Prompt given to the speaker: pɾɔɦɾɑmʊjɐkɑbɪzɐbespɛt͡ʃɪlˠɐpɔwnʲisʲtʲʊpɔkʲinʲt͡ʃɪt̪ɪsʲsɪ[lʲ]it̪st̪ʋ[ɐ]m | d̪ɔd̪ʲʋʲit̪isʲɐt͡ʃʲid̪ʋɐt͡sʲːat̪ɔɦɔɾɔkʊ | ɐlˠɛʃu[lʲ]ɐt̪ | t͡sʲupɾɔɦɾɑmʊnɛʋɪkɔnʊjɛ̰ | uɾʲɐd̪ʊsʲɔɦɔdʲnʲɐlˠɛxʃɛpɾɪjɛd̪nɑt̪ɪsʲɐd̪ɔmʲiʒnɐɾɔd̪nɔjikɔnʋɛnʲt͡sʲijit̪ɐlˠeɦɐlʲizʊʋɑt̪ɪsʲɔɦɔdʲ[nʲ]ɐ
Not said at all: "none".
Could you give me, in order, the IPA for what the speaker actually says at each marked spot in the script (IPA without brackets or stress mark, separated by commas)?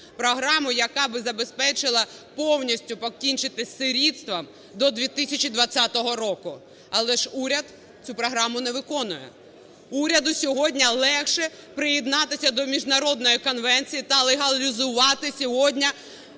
ɾʲ, ɐ, ɾʲ, nʲ